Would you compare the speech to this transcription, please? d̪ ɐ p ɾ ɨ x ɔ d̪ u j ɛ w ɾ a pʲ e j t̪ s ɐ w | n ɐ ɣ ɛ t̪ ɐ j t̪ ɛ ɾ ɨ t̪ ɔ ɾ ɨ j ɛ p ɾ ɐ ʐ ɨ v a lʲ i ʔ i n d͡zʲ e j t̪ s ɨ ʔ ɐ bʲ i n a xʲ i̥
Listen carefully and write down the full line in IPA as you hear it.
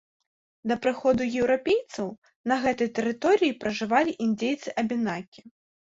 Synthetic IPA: d̪ ɐ p ɾ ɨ x ɔ d̪ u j ɛ w ɾ a pʲ e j t̪ s ɐ w | n ɐ ɣ ɛ t̪ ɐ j t̪ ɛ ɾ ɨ t̪ ɔ ɾ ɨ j i p ɾ ɐ ʐ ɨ v a lʲ i ʔ i n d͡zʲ e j t̪ s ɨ ʔ ɐ bʲ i n a kʲ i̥